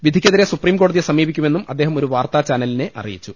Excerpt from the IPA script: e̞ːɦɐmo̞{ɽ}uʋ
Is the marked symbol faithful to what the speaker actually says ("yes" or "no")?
no